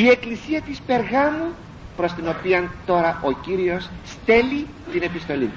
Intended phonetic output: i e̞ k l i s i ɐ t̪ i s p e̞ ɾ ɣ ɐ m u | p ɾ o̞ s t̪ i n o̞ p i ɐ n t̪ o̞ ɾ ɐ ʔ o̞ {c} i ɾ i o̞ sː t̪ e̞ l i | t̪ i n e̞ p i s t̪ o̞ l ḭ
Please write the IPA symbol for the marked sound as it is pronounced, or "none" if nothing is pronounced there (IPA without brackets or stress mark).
c